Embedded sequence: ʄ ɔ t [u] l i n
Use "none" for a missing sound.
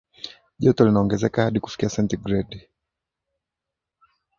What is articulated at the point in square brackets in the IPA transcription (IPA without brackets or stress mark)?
ɔ